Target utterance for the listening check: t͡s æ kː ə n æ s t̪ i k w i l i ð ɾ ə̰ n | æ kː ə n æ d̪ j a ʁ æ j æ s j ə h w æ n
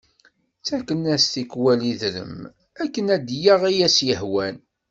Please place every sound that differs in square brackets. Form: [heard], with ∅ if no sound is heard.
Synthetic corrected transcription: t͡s æ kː ə n æ s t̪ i k w [æ] l i ð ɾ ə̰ [m] | æ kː ə n æ d̪ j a ʁ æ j æ s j ə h w æ n